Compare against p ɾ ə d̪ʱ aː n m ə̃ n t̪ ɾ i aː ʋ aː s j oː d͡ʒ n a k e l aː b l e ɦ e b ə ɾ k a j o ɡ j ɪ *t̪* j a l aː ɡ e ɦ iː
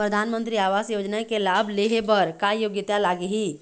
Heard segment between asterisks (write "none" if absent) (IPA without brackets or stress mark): t̪